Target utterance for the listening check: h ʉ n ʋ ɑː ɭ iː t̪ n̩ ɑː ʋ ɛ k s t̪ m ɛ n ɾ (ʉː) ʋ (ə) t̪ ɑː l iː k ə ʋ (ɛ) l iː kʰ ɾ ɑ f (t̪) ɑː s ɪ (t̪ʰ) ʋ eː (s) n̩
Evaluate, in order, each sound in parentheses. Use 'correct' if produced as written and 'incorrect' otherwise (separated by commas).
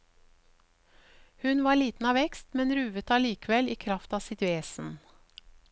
correct, correct, correct, correct, incorrect, correct